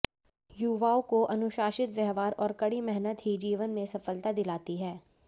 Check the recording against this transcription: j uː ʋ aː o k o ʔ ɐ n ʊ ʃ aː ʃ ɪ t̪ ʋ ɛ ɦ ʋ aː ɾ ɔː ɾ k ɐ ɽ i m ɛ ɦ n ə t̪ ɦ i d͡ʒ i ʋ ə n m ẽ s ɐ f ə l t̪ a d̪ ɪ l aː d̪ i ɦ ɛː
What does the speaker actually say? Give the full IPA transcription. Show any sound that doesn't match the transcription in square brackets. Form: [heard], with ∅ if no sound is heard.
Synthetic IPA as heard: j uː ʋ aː o k o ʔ ɐ n ʊ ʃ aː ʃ ɪ t̪ ʋ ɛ ɦ ʋ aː ɾ ɔː ɾ k ɐ ɽ i m ɛ ɦ n ə t̪ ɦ i d͡ʒ [iː] ʋ ə n m ẽ s ɐ f ə l t̪ a d̪ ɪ l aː [t̪] i ɦ ɛː